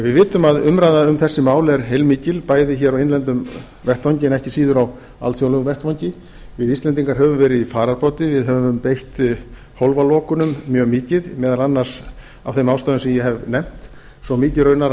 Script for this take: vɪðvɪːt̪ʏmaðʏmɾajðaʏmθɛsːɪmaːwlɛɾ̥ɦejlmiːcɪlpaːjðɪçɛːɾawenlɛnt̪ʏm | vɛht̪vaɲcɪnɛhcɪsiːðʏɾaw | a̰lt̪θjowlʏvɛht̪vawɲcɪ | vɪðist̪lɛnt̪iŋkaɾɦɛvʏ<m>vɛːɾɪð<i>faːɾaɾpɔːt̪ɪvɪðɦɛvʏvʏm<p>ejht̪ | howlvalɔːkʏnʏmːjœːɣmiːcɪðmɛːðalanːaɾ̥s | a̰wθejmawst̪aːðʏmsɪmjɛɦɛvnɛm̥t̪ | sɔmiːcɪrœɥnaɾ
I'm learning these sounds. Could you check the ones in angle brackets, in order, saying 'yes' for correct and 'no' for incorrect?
yes, yes, yes

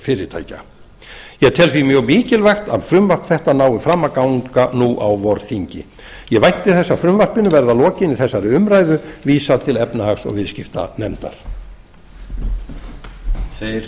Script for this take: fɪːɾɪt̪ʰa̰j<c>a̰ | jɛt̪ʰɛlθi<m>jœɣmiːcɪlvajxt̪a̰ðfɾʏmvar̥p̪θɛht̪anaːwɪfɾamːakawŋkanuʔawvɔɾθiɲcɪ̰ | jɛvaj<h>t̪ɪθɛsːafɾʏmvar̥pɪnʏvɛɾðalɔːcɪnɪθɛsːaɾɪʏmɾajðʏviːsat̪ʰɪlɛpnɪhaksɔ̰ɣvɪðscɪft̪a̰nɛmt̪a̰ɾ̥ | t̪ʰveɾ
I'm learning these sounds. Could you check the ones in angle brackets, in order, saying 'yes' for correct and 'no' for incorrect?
yes, yes, yes

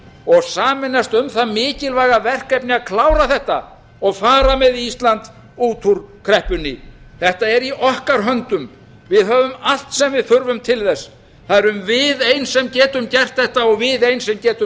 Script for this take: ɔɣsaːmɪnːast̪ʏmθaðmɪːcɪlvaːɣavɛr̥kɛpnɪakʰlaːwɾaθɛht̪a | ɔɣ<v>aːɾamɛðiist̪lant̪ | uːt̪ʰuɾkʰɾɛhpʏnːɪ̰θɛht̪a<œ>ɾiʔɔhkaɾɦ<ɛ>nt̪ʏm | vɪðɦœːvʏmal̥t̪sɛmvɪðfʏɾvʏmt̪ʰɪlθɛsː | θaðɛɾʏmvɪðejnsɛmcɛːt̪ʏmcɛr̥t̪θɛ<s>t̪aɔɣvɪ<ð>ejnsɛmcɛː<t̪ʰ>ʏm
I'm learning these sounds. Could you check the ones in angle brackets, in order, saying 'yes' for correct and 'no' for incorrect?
no, no, no, no, yes, no

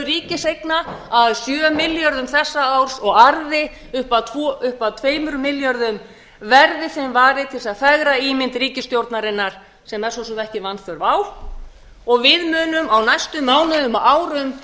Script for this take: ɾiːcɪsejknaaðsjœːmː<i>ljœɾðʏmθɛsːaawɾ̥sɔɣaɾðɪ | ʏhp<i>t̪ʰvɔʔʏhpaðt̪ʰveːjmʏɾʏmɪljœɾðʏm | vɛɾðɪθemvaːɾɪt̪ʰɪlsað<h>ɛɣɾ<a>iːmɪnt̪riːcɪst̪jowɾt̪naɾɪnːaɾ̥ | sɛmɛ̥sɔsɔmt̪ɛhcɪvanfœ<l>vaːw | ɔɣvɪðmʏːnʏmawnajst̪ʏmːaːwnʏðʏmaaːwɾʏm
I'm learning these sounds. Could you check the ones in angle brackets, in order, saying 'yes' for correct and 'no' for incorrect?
no, no, no, yes, no

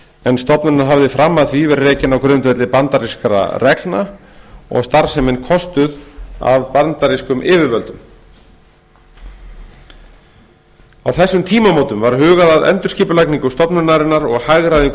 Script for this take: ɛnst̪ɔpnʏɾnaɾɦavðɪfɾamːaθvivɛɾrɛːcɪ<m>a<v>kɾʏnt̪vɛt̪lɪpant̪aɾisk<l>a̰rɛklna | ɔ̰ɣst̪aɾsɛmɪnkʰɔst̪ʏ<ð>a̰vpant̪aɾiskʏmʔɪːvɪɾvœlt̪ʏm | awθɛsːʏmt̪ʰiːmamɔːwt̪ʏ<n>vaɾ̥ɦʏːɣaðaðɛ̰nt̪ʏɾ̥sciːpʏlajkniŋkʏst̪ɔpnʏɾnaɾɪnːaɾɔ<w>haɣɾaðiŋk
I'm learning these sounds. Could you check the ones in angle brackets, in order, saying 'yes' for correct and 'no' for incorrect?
no, no, no, yes, no, no

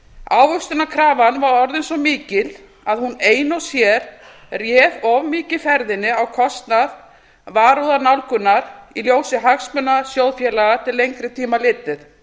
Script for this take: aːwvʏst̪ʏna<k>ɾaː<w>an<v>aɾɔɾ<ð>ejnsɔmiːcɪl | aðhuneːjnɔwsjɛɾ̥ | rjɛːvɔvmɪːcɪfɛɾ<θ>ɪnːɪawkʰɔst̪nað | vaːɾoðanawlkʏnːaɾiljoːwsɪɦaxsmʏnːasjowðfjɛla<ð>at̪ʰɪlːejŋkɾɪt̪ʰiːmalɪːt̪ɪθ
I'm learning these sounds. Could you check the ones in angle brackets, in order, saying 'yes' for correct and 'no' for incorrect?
no, no, yes, yes, no, no

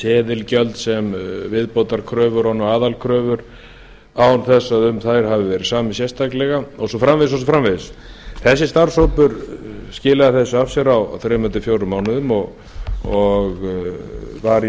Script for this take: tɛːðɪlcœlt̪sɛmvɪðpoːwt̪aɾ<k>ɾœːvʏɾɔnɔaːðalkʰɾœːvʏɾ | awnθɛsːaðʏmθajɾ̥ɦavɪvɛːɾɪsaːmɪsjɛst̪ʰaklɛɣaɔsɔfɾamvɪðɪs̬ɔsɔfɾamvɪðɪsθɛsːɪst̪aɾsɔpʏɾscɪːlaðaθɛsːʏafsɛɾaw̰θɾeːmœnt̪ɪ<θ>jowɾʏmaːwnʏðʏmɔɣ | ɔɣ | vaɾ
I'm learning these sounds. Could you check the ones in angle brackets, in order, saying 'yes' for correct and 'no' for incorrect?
no, no

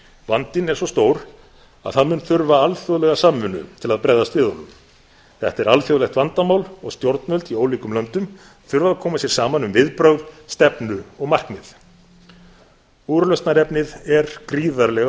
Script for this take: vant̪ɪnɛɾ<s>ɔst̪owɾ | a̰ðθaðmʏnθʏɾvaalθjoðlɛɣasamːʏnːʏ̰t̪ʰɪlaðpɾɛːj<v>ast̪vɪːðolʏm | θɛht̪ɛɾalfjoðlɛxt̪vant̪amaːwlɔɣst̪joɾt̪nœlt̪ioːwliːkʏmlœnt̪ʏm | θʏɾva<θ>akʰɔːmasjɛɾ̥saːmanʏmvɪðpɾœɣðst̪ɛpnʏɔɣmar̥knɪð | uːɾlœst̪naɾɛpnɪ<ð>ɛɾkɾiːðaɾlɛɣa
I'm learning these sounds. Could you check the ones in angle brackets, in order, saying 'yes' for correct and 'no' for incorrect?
yes, no, no, yes

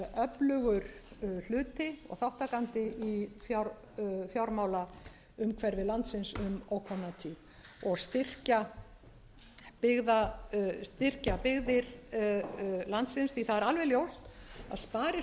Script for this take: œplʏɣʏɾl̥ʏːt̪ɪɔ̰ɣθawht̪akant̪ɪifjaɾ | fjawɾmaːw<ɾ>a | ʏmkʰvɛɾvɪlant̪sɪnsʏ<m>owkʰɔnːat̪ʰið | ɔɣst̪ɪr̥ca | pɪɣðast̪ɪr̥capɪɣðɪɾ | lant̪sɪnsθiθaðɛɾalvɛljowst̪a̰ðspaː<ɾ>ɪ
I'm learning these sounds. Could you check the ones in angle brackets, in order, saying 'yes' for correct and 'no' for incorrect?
no, yes, yes

